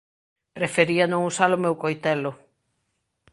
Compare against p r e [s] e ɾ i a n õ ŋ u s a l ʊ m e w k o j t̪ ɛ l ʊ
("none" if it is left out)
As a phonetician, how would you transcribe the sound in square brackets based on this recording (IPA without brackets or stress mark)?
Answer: f